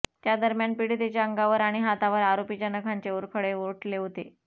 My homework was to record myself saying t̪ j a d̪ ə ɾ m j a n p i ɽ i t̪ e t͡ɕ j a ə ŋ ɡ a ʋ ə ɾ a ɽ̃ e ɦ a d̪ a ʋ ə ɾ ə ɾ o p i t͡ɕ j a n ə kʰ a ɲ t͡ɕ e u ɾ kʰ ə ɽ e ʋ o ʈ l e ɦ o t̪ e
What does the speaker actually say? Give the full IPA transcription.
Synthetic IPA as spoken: t̪ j a d̪ ə ɾ m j a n p i ɽ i t̪ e t͡ɕ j a ə ŋ ɡ a ʋ ə ɾ a ɽ̃ i ɦ a t̪ a ʋ ə ɾ a ɾ o p i t͡ɕ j a n ə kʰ a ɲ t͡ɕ e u ɾ kʰ ə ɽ e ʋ o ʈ l e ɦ o t̪ e